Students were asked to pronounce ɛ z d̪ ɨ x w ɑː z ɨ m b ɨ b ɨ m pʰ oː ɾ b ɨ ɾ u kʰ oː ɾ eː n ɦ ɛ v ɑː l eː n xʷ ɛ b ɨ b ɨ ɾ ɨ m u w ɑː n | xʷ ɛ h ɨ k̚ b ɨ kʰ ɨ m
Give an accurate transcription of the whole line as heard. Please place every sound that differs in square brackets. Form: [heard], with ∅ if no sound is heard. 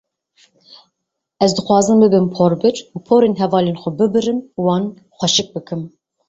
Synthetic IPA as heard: ɛ z d̪ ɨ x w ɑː z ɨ m b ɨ b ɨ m pʰ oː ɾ b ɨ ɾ u [pʰ] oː ɾ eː n ɦ ɛ v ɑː l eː n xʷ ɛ b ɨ b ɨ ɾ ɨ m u w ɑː n | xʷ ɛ [ʃ] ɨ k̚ b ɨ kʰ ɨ m

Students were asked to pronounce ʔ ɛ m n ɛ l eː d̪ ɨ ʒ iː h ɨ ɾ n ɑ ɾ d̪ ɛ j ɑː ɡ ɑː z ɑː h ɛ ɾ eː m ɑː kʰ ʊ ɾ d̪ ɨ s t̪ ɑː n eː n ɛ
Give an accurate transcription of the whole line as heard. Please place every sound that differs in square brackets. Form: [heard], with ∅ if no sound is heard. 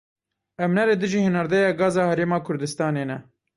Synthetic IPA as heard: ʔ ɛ m n ɛ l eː d̪ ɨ ʒ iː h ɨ [∅] n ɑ ɾ d̪ ɛ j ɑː ɡ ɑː z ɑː h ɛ ɾ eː m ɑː kʰ ʊ ɾ d̪ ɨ s t̪ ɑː n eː n ɛ

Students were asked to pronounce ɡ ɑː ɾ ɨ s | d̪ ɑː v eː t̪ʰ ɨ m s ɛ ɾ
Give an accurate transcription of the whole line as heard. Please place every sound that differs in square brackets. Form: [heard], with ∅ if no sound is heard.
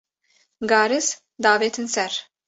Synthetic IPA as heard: ɡ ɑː ɾ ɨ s | d̪ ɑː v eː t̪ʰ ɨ [n] s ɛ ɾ

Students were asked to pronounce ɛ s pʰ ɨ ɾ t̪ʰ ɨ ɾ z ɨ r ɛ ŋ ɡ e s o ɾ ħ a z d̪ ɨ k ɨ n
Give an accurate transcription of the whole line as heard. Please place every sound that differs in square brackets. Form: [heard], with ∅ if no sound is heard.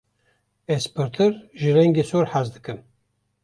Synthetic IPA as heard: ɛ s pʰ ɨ ɾ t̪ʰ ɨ ɾ [ʒ] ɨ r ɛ ŋ ɡ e s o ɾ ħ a z d̪ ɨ k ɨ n

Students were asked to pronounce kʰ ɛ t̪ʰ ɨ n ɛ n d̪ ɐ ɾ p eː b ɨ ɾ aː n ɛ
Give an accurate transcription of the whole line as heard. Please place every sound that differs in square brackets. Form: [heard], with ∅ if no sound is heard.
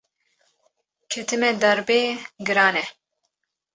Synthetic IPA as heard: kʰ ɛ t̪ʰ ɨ [m] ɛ [∅] d̪ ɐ ɾ [b] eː [ɡ] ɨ ɾ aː n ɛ

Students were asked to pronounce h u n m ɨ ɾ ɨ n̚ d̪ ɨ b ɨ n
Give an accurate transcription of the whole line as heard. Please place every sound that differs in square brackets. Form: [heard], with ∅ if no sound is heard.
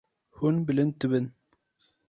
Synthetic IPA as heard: h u n [b] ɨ [l] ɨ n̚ [t̪] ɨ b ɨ n

